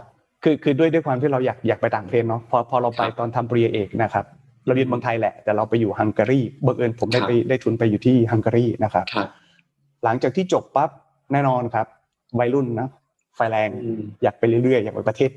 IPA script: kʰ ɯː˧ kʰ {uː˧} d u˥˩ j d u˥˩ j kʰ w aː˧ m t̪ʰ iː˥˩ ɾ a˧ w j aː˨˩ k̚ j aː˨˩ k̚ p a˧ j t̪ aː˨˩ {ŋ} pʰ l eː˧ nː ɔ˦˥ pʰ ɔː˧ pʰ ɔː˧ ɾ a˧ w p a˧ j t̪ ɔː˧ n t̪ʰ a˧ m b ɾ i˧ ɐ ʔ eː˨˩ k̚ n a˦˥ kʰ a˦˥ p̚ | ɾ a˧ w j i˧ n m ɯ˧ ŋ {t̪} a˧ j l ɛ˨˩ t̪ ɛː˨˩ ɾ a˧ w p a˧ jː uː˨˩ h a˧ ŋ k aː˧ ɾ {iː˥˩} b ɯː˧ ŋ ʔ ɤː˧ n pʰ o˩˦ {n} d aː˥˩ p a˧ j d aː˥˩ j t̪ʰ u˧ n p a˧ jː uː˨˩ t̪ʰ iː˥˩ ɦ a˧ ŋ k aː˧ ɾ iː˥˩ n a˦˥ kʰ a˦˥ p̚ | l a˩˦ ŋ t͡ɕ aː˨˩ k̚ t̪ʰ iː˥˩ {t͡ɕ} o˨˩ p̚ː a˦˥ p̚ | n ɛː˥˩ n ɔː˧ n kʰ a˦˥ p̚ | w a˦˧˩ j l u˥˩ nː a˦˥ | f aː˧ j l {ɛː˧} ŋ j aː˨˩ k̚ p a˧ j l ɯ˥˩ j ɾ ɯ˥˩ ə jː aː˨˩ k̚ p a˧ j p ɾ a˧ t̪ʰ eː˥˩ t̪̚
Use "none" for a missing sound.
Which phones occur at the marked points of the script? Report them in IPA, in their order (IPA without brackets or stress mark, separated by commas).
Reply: ɯː˧, ŋ, t̪ʰ, iː˥˩, m, t͡ɕ, ɛː˧